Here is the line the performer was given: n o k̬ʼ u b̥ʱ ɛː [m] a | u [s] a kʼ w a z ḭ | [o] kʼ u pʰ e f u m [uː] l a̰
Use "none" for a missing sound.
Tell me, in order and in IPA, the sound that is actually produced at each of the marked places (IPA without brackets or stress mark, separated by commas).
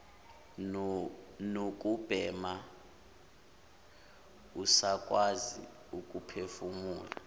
m, s, u, uː